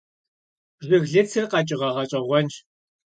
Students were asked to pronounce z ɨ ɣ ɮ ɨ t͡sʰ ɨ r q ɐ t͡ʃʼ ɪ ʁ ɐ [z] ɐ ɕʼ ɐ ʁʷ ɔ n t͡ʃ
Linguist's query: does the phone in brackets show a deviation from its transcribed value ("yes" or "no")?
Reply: yes